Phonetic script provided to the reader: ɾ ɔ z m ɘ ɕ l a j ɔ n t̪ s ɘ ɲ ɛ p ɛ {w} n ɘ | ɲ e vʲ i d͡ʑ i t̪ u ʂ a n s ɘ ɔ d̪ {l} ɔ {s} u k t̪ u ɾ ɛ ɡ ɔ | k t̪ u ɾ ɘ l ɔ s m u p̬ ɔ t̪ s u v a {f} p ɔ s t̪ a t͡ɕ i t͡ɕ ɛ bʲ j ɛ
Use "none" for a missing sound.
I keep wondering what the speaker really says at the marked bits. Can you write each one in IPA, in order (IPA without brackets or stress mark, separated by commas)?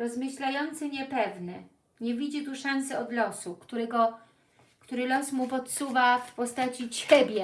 v, l, s, f